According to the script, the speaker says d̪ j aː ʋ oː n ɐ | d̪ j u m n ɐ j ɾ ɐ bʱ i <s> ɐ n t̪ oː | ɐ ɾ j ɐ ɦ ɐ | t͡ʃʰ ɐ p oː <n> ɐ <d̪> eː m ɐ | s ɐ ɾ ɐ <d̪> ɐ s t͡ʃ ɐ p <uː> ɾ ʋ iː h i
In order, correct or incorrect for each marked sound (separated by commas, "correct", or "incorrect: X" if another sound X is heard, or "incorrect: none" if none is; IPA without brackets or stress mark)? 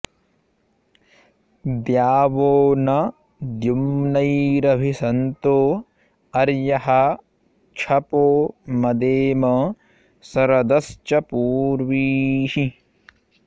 correct, incorrect: m, correct, correct, correct